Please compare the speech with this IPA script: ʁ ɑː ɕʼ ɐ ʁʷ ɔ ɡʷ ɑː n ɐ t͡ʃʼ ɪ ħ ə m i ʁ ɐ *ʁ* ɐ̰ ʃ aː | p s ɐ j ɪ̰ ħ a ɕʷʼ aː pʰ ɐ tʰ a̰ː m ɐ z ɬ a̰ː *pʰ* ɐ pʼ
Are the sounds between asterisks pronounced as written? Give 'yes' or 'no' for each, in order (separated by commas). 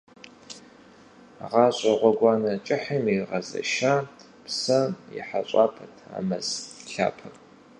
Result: no, yes